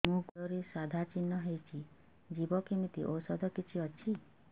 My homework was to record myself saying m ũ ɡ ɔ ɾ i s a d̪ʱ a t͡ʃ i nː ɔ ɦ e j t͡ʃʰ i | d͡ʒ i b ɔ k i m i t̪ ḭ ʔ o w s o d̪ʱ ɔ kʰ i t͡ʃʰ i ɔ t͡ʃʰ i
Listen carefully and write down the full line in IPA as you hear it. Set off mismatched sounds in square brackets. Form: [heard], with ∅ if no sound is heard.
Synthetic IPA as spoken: m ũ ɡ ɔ ɾ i s a d̪ʱ a t͡ʃ i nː ɔ ɦ e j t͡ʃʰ i | d͡ʒ i b ɔ k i m i t̪ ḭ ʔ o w s [ɔ] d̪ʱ ɔ [k] i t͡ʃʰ i ɔ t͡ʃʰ i